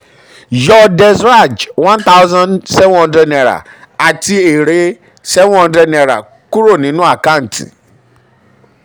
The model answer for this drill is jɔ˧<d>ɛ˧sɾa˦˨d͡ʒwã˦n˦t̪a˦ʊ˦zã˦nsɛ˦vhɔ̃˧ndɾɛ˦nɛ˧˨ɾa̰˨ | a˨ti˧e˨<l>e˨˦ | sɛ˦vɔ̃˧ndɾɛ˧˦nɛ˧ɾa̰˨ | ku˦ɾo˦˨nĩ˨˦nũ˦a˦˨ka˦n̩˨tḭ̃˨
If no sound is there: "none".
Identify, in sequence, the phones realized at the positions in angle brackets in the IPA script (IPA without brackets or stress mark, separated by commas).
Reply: d, ɾ